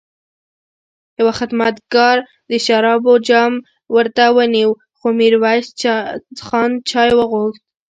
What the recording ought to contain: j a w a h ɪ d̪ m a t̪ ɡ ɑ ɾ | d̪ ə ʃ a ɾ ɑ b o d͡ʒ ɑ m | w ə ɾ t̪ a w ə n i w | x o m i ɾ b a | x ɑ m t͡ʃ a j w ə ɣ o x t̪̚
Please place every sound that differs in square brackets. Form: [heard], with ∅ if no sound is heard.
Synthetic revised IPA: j a w a [x] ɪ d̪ m a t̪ ɡ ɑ ɾ | d̪ ə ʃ a ɾ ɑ b o d͡ʒ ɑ m | w ə ɾ t̪ a w ə n i w | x o m i ɾ [w] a | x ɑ [n] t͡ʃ [ɑ] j w ə ɣ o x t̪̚

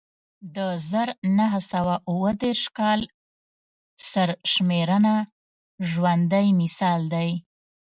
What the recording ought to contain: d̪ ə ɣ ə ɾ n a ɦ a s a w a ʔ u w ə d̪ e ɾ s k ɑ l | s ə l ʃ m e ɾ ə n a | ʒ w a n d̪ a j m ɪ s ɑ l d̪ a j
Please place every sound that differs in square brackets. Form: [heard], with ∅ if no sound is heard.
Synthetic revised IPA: d̪ ə [z] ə ɾ n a ɦ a s a w a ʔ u w ə d̪ e ɾ [ʃ] k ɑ l | s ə [ɾ] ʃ m e ɾ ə n a | ʒ w a n d̪ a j m ɪ s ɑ l d̪ a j

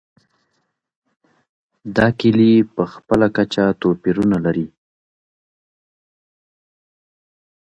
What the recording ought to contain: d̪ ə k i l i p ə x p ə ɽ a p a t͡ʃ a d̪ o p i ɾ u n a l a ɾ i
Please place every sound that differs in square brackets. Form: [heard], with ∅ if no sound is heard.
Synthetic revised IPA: d̪ [ɑ] k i l i p ə x p ə [l] a [k] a t͡ʃ a [t̪] o p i ɾ u n a l a ɾ i

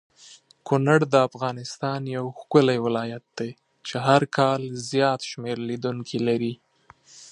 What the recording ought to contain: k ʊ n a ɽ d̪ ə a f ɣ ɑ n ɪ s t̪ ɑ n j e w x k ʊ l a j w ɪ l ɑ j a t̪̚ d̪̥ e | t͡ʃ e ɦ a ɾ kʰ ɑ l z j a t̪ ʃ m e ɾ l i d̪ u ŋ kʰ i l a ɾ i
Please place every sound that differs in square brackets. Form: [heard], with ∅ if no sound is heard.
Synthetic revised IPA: k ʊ n a ɽ d̪ ə a f ɣ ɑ n ɪ s t̪ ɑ n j [a] w x k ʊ l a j w ɪ l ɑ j a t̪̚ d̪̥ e | t͡ʃ e ɦ a ɾ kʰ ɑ l z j [ɑ] t̪ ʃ m e ɾ l i d̪ u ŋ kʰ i l a ɾ i

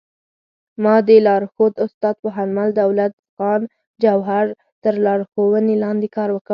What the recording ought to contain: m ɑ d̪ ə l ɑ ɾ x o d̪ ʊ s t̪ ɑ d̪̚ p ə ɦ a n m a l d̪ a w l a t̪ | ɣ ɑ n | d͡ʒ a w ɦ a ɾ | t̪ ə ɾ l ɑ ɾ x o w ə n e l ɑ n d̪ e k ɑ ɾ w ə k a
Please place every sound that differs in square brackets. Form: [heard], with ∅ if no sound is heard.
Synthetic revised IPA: m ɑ d̪ ə l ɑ ɾ x o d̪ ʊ s t̪ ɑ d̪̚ p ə ɦ a n m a l d̪ a w l a t̪ | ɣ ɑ n | d͡ʒ a w ɦ a ɾ | t̪ ə ɾ l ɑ ɾ x o w ə n e l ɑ n d̪ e k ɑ ɾ w ə k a

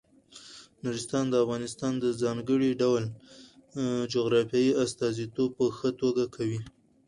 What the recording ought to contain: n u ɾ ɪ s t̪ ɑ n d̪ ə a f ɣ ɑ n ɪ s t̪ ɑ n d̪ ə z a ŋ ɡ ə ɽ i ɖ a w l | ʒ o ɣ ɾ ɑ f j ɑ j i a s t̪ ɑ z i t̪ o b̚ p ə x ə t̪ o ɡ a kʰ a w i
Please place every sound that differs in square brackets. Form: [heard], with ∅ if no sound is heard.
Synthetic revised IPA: n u ɾ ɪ s t̪ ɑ n d̪ ə a f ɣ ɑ n ɪ s t̪ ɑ n d̪ ə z [ɑ] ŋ ɡ ə ɽ i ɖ a w l | [d͡ʒ] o ɣ ɾ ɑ f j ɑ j i a s t̪ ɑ z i t̪ o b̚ p ə x ə t̪ o ɡ a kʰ a w i

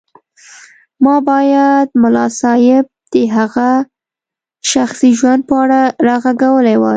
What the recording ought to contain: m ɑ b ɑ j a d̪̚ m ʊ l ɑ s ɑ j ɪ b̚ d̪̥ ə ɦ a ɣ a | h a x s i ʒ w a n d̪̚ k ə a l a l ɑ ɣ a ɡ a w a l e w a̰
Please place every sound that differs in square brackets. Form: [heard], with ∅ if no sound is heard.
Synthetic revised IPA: m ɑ b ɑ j a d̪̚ m ʊ l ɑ s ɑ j ɪ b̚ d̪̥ ə ɦ a ɣ a | [ʃ] a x s i ʒ w a n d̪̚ [p] ə a [ɽ] a [ɾ] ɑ ɣ a ɡ a w [ə] l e w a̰

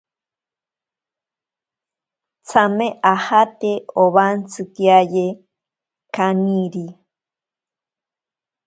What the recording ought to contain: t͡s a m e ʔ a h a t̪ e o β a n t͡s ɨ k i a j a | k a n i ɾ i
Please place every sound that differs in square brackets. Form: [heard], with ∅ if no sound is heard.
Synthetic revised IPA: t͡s a m e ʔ a h a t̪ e o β a n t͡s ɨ k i a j [e] | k a n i ɾ i

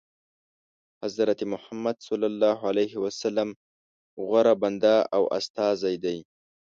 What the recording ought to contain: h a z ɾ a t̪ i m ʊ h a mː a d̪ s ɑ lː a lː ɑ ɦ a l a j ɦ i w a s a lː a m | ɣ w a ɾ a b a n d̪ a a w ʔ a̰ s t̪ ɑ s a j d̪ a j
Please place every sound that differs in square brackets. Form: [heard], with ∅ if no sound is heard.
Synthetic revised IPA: h a z ɾ a t̪ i m ʊ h a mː a d̪ s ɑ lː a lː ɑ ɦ a l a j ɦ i w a s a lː a m | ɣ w a ɾ a b a n d̪ a a w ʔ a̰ s t̪ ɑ [z] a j d̪ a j

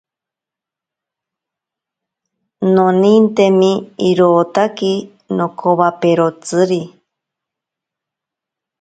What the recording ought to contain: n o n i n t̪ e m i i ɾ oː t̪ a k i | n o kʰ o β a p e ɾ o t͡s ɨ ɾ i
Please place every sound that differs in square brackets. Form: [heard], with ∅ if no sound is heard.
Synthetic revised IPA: n o n i n t̪ e m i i ɾ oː t̪ a k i | n o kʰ o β a p e ɾ o t͡s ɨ ɾ i

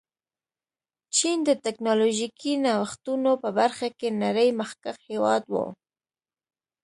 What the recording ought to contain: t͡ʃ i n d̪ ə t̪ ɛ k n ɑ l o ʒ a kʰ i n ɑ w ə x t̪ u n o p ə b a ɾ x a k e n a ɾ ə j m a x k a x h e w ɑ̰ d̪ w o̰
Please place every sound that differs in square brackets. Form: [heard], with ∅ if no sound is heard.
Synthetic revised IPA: t͡ʃ i n d̪ ə t̪ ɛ k n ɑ l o ʒ [i] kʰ i n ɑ w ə x t̪ u n o p ə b a ɾ x a k e n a ɾ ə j m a x k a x h e w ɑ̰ d̪ w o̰

